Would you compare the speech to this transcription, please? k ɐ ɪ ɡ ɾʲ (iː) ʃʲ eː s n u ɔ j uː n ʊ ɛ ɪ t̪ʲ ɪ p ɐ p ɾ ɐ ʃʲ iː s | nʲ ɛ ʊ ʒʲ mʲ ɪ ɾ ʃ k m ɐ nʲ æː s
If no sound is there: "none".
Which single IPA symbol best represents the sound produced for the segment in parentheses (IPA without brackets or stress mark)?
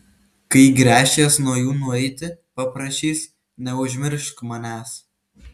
æː